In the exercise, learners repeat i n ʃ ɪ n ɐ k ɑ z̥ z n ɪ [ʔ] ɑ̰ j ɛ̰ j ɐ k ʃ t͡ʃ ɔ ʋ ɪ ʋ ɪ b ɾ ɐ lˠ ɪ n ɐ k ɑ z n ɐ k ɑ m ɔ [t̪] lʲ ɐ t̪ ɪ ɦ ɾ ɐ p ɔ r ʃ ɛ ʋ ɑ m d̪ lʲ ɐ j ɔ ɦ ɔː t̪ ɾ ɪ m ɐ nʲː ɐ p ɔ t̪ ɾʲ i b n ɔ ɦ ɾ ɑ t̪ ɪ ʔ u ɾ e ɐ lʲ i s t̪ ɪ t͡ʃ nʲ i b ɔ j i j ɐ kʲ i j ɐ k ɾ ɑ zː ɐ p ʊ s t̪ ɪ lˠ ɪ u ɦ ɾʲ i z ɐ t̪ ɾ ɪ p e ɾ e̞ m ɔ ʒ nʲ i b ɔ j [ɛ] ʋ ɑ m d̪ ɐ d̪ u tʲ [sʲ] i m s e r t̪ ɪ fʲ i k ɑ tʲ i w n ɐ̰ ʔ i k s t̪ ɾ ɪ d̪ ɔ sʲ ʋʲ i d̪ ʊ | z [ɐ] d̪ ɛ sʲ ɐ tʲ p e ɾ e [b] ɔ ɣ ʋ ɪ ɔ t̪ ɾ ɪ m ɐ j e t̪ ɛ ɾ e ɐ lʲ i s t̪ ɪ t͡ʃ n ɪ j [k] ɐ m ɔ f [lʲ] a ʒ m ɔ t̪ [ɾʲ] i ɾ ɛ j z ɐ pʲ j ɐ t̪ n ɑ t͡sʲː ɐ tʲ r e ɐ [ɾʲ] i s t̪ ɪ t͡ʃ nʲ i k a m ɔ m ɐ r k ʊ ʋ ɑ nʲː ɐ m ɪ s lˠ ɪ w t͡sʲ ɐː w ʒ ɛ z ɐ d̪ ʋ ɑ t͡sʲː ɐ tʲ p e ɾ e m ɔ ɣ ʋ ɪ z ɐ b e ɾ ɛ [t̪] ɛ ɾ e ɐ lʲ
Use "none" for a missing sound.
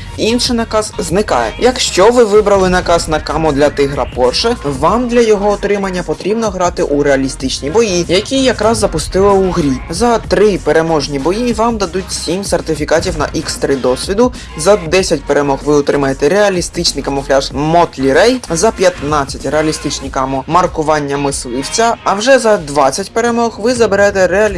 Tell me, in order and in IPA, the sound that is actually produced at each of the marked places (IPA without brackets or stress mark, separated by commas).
k, d̪, i, sʲ, ɐ, m, k, lʲ, lʲ, lʲ, t̪